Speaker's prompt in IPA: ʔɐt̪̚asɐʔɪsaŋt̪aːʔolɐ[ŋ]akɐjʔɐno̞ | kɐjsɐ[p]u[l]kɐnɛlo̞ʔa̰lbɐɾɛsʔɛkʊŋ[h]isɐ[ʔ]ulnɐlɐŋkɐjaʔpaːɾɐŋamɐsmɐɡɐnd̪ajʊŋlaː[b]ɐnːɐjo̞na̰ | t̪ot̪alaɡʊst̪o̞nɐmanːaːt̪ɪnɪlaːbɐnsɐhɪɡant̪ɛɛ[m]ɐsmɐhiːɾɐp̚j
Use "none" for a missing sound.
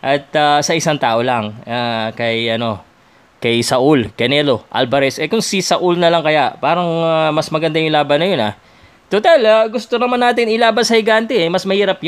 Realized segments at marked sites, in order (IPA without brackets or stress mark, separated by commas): ŋ, ʔ, l, s, ʔ, b, m